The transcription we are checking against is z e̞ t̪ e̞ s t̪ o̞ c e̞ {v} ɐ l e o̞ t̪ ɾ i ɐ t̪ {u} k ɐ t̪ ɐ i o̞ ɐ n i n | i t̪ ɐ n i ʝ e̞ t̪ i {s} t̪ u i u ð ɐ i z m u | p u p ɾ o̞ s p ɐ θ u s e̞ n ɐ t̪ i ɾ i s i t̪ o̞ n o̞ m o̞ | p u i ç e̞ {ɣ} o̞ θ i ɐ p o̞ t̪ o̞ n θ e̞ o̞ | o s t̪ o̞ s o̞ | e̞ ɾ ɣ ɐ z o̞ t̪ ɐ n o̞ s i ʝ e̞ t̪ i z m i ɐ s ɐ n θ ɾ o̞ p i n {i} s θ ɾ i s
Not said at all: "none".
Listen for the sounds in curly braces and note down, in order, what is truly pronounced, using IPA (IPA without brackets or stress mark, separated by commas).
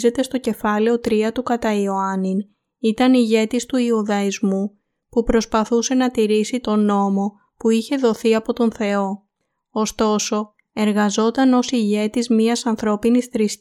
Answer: f, u, s, ð, i